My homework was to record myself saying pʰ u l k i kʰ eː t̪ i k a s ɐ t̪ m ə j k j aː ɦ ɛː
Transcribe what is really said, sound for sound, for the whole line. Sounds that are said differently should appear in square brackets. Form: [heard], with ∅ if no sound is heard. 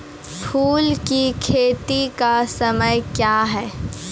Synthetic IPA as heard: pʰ [uː] l k i kʰ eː t̪ i k a s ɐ [∅] m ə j k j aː ɦ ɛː